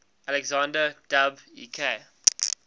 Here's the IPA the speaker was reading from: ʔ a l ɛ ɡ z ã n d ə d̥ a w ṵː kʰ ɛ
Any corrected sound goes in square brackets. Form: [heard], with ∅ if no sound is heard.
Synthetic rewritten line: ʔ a l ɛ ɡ z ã n d ə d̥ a [b] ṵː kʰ [e]